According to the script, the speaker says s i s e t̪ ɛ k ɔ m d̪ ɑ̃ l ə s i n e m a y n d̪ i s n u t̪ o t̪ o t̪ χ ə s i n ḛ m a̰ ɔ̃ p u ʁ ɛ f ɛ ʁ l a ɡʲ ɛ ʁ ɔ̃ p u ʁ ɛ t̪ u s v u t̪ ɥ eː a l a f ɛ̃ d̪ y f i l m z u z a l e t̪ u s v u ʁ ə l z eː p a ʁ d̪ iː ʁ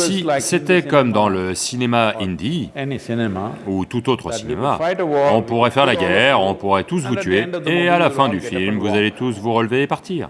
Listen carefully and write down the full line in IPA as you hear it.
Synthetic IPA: s i s e t̪ ɛ k ɔ m d̪ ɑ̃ l ə s i n e m a i n d̪ i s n u t̪ u t̪ o t̪ χ ə s i n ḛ m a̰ ɔ̃ p u ʁ ɛ f ɛ ʁ l a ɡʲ ɛ ʁ ɔ̃ p u ʁ ɛ t̪ u s v u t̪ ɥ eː a l a f ɛ̃ d̪ y f i l m v u z a l e t̪ u s v u ʁ ə l v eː p a ʁ t̪ iː ʁ